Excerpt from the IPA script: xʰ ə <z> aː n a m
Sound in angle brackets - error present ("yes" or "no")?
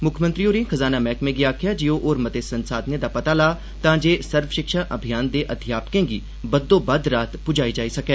no